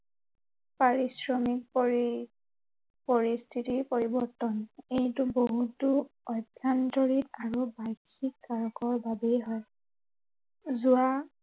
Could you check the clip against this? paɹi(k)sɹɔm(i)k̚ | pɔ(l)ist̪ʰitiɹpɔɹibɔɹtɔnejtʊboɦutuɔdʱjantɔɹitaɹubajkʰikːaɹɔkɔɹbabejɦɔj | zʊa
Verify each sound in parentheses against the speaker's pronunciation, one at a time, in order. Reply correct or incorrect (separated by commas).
incorrect, correct, incorrect